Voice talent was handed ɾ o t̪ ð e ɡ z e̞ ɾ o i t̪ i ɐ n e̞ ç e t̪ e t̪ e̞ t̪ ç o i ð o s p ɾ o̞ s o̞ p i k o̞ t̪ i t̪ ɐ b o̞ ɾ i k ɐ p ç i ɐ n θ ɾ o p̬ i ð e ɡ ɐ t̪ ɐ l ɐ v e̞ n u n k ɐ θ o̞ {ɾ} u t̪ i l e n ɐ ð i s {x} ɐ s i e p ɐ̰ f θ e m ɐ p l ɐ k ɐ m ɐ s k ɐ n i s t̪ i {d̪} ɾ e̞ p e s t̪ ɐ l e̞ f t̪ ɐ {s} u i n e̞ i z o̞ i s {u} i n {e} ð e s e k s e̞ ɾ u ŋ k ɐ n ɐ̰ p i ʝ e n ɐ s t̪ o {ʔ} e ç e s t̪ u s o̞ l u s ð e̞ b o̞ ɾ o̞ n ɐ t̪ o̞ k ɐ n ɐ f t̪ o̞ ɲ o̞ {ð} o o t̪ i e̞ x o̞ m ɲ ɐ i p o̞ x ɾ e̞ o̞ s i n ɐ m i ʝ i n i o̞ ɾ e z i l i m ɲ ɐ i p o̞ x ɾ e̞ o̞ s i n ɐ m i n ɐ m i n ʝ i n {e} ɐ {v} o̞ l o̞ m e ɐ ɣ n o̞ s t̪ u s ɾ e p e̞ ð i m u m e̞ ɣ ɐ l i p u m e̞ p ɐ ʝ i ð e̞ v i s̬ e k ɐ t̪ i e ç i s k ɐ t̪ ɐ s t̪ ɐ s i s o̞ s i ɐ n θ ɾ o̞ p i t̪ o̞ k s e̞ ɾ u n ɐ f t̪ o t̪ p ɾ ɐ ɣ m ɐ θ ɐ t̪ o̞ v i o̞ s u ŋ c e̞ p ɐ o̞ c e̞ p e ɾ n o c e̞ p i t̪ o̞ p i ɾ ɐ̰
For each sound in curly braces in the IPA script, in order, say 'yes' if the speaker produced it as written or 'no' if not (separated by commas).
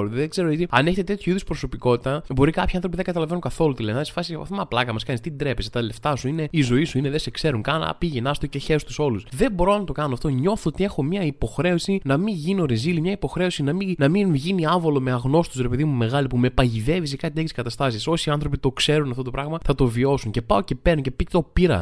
no, no, yes, yes, yes, yes, no, no, no, yes